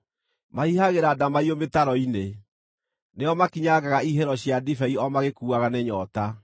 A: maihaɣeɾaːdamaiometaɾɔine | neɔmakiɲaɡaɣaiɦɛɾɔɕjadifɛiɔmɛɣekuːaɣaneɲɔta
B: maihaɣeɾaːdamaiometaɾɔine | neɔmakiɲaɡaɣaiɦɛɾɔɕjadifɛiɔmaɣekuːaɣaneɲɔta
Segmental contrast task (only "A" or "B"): B